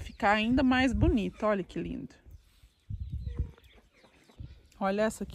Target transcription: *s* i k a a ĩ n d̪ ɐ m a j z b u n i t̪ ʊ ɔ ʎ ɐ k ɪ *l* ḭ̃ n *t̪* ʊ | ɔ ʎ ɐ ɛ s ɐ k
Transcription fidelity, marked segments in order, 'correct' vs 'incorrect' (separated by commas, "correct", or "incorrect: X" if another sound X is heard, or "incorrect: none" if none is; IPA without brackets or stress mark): incorrect: f, correct, incorrect: d̪